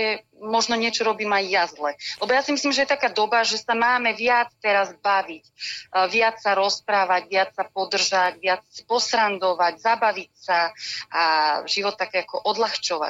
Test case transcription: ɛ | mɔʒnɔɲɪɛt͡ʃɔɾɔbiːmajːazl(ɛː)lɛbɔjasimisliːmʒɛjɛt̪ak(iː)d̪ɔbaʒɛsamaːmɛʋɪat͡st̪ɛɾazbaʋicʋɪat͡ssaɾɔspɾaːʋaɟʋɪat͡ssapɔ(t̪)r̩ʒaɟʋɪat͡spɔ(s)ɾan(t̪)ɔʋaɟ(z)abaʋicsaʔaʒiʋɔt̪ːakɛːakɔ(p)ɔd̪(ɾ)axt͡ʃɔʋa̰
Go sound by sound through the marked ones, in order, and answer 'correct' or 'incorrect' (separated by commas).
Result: incorrect, incorrect, incorrect, correct, incorrect, correct, incorrect, incorrect